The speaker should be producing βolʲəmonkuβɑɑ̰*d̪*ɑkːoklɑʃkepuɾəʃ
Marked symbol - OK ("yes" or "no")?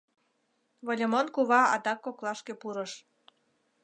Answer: yes